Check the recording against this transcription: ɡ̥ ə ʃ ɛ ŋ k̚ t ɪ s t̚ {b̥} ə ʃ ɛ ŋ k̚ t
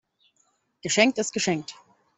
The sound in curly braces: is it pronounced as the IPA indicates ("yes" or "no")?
no